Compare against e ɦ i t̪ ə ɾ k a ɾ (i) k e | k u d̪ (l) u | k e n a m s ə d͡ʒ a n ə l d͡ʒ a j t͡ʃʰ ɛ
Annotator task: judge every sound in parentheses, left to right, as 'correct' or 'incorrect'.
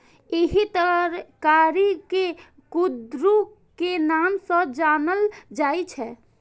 correct, incorrect

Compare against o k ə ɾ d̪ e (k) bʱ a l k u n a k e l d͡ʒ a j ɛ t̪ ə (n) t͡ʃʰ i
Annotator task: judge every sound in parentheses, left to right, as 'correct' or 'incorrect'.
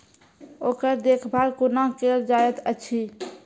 incorrect, incorrect

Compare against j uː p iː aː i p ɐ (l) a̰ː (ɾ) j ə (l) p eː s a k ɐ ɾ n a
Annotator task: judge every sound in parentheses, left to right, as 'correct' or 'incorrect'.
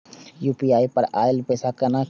incorrect, incorrect, correct

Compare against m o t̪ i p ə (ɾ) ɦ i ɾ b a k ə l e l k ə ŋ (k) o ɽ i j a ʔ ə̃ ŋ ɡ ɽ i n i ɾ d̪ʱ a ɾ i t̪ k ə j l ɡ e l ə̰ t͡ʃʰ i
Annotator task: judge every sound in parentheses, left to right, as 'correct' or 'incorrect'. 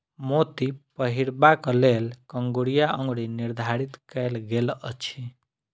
incorrect, incorrect

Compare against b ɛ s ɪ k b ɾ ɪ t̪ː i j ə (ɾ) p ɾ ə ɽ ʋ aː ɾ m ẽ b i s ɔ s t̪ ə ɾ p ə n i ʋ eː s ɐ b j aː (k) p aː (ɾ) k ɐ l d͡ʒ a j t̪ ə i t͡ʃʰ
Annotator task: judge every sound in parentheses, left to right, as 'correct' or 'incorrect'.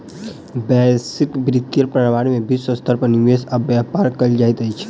correct, incorrect, correct

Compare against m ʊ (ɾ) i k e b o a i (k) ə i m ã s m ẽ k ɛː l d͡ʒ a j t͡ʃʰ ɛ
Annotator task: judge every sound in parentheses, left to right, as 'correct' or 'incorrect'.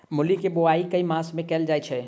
incorrect, correct

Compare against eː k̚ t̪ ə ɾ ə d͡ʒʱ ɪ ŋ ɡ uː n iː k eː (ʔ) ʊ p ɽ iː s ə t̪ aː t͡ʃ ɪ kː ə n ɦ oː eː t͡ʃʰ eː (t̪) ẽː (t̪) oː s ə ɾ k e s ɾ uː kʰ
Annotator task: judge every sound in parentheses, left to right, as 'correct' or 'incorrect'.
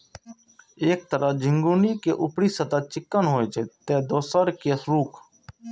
correct, correct, incorrect

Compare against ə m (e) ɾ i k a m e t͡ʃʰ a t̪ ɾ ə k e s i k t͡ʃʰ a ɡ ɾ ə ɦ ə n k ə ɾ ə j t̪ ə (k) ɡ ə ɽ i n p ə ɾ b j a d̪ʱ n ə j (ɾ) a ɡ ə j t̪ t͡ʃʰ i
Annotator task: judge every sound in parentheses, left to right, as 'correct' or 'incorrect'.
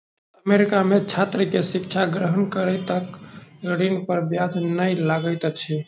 correct, correct, incorrect

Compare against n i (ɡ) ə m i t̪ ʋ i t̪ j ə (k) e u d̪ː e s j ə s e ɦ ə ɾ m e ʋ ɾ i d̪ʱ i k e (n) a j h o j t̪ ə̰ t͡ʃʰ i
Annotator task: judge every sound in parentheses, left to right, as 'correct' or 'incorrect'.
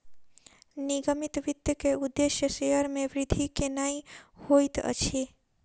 correct, correct, correct

